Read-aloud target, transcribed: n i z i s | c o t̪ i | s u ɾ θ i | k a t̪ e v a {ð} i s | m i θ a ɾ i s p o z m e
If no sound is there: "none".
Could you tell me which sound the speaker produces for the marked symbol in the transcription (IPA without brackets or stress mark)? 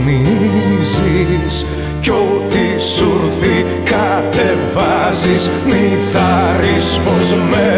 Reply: z